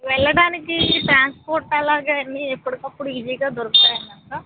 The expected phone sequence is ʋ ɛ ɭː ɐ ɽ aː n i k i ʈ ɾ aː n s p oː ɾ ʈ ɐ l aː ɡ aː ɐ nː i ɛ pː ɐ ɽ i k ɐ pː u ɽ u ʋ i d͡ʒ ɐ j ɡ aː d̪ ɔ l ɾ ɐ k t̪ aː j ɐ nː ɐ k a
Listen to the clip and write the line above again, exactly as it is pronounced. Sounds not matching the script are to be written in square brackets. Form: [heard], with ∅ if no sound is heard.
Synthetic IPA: ʋ ɛ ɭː ɐ ɽ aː n i k i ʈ ɾ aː n s p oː ɾ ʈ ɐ l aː ɡ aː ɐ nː i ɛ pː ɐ ɽ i k ɐ pː u ɽ u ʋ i d͡ʒ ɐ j ɡ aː d̪ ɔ [∅] ɾ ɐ k t̪ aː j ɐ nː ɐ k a